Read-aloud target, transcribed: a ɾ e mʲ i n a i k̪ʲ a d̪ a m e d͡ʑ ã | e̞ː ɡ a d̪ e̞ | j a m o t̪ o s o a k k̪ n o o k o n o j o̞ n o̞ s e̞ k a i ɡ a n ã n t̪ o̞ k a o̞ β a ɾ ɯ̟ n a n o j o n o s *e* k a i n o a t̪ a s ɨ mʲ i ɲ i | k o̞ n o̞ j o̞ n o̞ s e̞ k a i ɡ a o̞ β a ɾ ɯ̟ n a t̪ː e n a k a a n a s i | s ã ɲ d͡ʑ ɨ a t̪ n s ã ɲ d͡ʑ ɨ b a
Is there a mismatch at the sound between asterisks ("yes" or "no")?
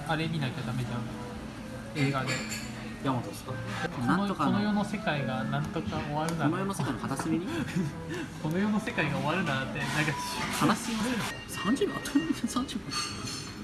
no